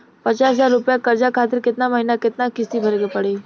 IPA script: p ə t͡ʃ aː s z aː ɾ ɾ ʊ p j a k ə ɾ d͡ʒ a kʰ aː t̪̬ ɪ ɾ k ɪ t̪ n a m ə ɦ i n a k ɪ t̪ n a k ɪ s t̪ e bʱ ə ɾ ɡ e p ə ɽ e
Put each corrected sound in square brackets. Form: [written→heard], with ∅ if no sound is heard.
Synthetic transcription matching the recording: p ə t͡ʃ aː s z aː ɾ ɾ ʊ p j a k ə ɾ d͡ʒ a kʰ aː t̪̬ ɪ ɾ k ɪ t̪ n a m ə ɦ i n a k ɪ t̪ n a k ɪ s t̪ [e→i] bʱ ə ɾ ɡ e p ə ɽ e